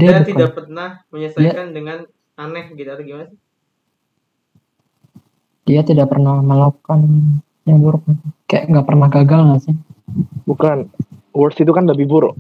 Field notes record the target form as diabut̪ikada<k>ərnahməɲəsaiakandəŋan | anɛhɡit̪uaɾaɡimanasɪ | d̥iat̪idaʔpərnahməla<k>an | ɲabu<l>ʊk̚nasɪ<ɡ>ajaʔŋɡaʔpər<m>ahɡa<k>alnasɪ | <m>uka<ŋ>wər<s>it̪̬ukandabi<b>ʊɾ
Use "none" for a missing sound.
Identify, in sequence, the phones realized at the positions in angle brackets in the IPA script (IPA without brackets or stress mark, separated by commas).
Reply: p, k, ɾ, k, n, ɡ, b, n, s, b